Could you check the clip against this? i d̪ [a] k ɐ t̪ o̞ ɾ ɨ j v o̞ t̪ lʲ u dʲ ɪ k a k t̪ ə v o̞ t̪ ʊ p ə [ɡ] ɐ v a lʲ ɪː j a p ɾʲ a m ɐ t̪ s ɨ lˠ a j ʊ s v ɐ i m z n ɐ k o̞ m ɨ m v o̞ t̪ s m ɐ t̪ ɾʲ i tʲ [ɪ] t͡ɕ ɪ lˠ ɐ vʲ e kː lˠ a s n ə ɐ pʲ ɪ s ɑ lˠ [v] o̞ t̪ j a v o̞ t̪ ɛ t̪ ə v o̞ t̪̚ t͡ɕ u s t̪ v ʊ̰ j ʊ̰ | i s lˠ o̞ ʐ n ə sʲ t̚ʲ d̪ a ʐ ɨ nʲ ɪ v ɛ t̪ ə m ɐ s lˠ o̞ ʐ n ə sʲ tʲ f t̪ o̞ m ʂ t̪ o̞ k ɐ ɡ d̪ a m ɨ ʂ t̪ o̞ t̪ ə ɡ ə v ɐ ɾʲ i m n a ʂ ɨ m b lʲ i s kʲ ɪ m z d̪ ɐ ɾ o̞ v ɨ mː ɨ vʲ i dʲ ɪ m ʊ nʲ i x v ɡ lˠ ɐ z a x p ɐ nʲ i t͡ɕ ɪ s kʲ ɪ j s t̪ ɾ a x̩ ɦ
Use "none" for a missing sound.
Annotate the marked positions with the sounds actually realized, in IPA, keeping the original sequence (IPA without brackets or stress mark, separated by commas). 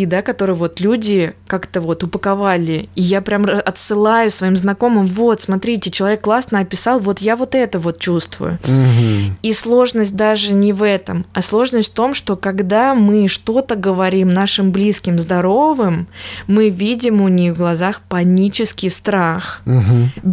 a, k, ɪ, v